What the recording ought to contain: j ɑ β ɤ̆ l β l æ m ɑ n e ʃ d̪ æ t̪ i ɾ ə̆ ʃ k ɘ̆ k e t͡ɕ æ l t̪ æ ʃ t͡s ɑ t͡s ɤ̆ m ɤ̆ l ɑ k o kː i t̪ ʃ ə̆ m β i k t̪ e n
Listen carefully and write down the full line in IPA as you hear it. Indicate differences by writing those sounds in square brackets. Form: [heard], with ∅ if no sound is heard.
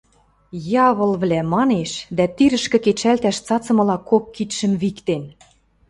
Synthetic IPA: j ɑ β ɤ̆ l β l æ m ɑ n e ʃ d̪ æ t̪ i ɾ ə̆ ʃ k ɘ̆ k e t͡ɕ æ l t̪ æ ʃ t͡s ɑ t͡s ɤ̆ m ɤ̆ l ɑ k o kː i t̪ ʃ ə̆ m β i k t̪ e n